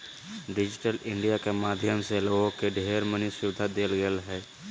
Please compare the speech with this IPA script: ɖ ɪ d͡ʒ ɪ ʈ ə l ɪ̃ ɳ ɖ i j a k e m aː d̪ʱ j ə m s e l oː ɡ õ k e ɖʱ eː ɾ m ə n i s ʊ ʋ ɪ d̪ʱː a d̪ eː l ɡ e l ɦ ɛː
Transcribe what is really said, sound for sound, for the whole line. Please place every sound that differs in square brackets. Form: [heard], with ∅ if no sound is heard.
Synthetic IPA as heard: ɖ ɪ d͡ʒ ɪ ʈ ə l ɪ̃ ɳ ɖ i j a k e m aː d̪ʱ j ə m s e l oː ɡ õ k e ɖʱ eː ɾ m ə n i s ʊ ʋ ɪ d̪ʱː a d̪ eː l ɡ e l ɦ ɛː